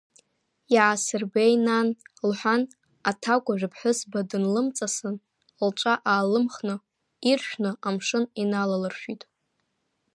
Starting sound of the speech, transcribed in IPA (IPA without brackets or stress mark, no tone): ʕ